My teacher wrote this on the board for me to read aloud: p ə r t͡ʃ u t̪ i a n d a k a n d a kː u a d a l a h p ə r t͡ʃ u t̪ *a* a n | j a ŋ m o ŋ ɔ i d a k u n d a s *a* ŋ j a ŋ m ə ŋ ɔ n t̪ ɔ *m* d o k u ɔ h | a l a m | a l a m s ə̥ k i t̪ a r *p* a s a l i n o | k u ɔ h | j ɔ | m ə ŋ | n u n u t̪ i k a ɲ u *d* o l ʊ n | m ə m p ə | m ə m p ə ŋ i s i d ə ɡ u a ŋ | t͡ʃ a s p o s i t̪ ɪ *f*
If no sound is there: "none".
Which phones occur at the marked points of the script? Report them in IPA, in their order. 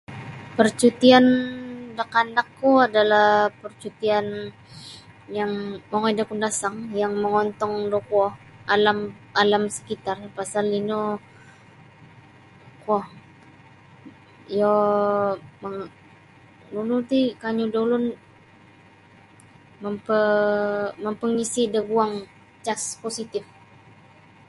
i, a, ŋ, p, d, f

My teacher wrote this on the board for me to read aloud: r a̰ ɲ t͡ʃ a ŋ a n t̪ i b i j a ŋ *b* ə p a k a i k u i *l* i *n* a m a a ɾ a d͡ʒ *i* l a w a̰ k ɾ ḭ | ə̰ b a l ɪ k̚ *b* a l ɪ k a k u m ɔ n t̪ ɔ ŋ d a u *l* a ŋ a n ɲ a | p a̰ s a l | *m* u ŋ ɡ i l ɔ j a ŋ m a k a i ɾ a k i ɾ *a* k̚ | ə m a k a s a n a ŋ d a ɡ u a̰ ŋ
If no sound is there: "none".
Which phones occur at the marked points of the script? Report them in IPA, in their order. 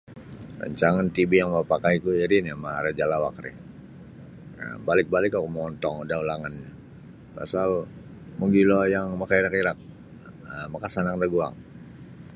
m, ɾ, n, a, b, l, m, a

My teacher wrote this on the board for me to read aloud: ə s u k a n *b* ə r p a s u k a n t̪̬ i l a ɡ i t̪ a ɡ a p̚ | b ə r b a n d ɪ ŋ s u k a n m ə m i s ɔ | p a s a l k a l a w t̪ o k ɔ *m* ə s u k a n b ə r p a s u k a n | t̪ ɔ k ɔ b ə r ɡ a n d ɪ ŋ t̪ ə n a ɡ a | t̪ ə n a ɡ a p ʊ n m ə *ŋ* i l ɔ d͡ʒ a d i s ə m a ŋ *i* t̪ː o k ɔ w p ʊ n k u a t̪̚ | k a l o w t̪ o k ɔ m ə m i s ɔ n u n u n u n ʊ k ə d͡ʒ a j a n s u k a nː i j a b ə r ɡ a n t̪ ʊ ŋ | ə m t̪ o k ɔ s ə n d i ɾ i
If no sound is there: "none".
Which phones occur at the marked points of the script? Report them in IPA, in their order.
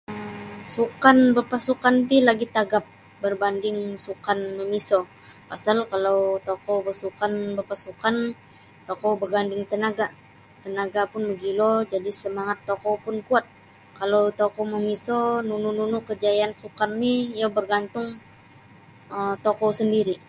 b, b, ɡ, a

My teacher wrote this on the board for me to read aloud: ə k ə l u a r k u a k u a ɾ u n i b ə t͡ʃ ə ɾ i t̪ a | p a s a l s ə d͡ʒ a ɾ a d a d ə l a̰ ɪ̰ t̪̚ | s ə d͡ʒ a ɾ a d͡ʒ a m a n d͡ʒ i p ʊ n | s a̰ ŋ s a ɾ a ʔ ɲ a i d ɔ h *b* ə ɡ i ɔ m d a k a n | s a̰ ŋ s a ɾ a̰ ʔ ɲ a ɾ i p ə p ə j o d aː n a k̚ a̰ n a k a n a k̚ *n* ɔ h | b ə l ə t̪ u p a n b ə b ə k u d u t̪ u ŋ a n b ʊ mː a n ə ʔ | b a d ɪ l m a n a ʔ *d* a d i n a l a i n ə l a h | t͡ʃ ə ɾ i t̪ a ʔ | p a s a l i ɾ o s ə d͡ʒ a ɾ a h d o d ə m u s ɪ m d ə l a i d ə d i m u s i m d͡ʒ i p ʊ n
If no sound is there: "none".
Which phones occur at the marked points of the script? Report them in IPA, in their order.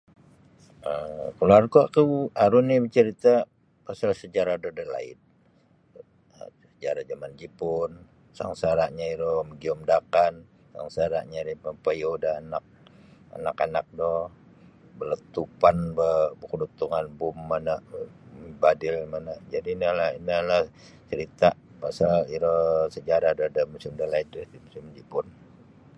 m, d, d͡ʒ

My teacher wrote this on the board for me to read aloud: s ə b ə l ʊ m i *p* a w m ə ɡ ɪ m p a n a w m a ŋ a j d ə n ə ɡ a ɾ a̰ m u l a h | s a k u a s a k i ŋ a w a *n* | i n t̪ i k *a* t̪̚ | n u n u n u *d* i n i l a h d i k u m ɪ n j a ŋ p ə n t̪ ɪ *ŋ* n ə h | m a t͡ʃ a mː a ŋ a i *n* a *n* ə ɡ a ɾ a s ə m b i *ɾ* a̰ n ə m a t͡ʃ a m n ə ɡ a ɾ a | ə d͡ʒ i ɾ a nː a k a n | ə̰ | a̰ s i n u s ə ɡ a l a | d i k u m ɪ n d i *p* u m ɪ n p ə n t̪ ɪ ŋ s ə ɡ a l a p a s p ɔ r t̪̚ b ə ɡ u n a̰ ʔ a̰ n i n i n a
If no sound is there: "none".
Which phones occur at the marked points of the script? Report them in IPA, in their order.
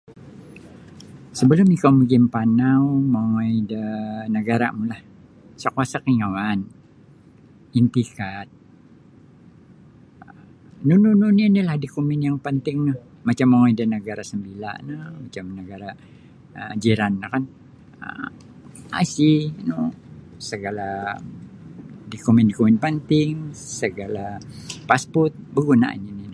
k, n, a, n, ŋ, d, n, l, k

